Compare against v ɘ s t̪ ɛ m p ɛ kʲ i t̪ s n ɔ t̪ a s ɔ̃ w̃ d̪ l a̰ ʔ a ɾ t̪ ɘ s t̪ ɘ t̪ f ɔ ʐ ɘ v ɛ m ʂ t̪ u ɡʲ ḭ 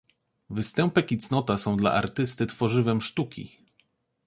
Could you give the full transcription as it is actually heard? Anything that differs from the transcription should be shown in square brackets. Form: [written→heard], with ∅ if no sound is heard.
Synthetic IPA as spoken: v ɘ s t̪ ɛ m p ɛ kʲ i t̪ s n ɔ t̪ a s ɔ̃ w̃ d̪ l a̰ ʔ a ɾ t̪ ɘ s t̪ ɘ t̪ f ɔ ʐ ɘ v ɛ m ʂ t̪ u [ɡʲ→kʲ] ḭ